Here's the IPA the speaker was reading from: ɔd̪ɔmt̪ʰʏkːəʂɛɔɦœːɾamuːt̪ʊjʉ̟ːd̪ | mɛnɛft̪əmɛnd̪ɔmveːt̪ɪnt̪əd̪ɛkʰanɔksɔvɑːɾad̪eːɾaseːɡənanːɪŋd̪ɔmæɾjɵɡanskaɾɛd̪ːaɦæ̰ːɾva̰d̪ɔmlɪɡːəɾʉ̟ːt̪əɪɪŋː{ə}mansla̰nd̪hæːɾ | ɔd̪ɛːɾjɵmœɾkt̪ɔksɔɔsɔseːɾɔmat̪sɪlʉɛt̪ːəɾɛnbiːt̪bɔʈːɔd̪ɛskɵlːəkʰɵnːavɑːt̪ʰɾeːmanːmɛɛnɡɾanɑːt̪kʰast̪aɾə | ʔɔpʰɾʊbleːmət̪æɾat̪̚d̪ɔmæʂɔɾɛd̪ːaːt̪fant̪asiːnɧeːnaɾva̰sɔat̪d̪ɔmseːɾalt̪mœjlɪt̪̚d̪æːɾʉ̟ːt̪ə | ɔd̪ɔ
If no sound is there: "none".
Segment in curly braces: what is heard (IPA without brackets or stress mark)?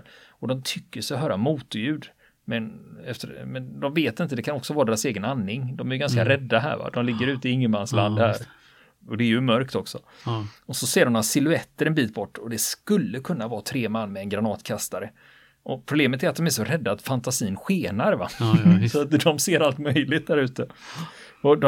ə